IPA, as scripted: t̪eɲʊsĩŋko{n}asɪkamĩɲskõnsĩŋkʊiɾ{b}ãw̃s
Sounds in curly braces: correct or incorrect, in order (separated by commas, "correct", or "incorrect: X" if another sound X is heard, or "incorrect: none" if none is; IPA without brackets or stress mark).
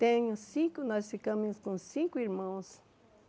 correct, incorrect: m